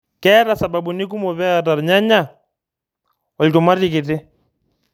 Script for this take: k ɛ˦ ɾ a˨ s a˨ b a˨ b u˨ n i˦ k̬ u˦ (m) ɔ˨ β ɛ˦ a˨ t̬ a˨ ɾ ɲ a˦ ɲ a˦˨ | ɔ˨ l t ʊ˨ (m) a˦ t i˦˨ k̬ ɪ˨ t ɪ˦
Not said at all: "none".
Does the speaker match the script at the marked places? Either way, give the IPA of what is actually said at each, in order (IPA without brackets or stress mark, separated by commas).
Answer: m, m